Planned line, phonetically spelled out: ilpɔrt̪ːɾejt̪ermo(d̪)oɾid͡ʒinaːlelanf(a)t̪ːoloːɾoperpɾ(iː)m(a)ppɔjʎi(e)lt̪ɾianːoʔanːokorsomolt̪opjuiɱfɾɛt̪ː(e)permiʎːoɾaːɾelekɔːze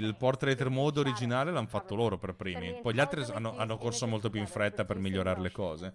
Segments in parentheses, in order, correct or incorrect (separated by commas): correct, correct, correct, incorrect, incorrect, incorrect